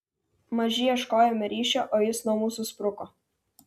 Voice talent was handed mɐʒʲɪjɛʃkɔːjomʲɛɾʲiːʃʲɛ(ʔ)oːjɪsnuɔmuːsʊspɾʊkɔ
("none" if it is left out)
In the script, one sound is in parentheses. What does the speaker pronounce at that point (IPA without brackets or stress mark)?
ʔ